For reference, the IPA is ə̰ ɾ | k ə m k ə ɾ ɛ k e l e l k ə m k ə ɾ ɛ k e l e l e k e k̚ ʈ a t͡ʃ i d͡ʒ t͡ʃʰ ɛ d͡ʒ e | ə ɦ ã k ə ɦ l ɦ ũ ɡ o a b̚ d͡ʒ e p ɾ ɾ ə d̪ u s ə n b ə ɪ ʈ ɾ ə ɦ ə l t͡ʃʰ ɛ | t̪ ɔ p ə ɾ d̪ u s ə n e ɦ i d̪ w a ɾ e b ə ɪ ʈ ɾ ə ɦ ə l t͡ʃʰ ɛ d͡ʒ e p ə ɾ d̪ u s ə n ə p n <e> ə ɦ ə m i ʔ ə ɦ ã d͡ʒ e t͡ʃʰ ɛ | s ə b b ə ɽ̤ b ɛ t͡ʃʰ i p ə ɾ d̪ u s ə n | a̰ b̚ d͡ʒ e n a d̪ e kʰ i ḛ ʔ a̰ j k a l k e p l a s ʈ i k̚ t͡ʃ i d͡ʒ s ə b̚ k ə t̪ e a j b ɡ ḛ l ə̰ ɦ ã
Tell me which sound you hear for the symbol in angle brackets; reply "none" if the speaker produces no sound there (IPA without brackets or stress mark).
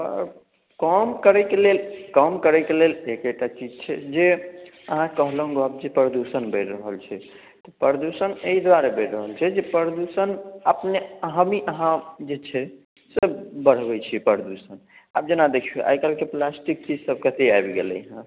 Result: e